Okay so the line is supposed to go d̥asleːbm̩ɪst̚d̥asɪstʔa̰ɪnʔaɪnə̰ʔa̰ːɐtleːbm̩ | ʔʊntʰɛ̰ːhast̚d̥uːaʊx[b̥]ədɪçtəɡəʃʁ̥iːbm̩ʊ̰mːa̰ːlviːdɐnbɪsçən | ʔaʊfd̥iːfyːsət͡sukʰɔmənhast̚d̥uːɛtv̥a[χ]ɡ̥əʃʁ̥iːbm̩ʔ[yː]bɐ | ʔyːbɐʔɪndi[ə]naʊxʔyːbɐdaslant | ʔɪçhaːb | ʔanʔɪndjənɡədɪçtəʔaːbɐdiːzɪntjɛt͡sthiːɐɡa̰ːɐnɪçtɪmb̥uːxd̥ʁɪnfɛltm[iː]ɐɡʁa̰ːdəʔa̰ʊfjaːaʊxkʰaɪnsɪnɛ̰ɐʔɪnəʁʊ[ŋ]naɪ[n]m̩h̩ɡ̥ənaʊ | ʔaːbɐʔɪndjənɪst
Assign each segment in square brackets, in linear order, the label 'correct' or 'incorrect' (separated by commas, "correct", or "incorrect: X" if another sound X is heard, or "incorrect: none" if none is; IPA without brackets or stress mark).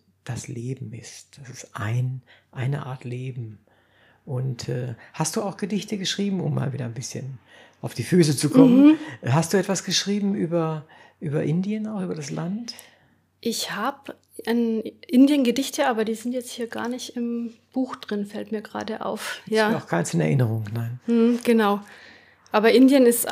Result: incorrect: ɡ̥, incorrect: s, correct, correct, correct, correct, correct